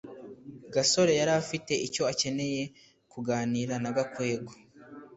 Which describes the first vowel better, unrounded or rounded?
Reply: unrounded